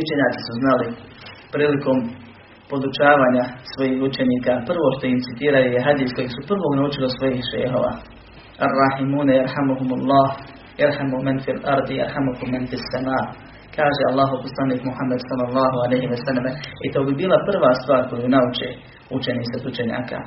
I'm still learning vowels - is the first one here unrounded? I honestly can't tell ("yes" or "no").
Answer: no